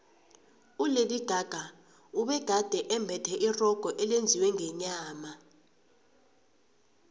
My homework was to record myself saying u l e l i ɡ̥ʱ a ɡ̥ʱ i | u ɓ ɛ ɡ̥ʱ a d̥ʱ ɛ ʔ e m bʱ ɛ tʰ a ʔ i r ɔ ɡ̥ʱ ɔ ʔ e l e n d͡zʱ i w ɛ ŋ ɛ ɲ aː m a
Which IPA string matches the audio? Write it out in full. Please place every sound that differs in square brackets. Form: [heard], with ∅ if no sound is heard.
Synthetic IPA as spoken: u l e l i ɡ̥ʱ a ɡ̥ʱ [a] | u ɓ ɛ ɡ̥ʱ a d̥ʱ ɛ ʔ [ɛ] m bʱ ɛ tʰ [ɛ] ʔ i r ɔ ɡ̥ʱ ɔ ʔ [ɛ] l e n d͡zʱ i w ɛ ŋ ɛ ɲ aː m a